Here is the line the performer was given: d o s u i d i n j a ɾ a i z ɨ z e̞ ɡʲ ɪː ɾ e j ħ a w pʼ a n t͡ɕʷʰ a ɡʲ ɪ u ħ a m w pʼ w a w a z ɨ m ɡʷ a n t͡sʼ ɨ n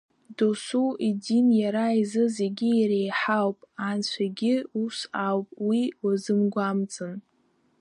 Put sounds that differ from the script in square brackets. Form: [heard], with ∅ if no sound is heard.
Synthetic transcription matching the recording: d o s u i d i n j a ɾ a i z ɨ z e̞ ɡʲ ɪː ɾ e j ħ a w pʼ a n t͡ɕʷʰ a ɡʲ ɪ u [s] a [∅] w pʼ w [i] w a z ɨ m ɡʷ a [m] t͡sʼ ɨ n